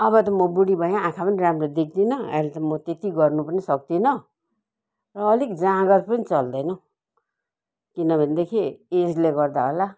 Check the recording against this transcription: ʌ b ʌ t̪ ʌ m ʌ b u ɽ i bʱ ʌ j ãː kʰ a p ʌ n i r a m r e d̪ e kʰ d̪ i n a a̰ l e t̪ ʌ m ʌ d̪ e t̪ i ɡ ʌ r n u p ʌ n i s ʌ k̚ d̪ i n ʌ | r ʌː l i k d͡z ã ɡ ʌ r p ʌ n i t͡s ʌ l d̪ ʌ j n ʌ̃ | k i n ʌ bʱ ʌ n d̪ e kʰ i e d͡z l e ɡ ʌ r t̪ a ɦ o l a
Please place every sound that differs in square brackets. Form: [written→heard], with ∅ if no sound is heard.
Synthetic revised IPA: ʌ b ʌ t̪ ʌ m ʌ b u ɽ i bʱ ʌ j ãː kʰ a p ʌ n i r a m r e d̪ e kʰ d̪ i n [a→ʌ] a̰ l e t̪ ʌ m ʌ [d̪→t̪] e t̪ i ɡ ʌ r n u p ʌ n i s ʌ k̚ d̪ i n ʌ | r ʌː l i k d͡z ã ɡ ʌ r p ʌ n i t͡s ʌ l d̪ ʌ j n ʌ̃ | k i n ʌ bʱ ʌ n d̪ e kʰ i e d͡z l e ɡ ʌ r [t̪→d̪] a ɦ o l a